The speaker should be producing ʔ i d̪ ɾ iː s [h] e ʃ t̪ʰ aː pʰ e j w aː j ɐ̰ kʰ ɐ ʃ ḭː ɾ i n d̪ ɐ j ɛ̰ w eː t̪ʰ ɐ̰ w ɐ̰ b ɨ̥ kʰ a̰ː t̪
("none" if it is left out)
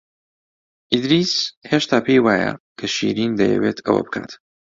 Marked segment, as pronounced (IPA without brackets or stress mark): h